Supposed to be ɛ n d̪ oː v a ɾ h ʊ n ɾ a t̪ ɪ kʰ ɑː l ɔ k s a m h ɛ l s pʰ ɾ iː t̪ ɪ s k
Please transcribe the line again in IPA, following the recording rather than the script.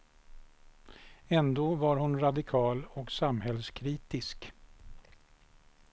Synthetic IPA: ɛ n d̪ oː v a ɾ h ʊ n ɾ a d̪ ɪ kʰ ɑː l ɔ k s a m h ɛ l s kʰ ɾ iː t̪ ɪ s k